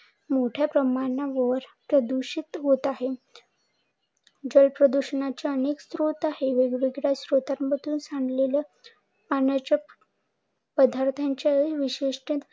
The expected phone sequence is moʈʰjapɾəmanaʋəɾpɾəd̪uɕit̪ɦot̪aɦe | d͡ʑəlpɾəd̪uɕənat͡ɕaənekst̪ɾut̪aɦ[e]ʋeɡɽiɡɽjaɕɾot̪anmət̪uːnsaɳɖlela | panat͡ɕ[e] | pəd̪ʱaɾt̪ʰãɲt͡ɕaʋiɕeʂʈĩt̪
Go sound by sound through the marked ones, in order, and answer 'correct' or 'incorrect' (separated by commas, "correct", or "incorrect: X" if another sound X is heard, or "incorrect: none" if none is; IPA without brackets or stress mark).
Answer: correct, incorrect: a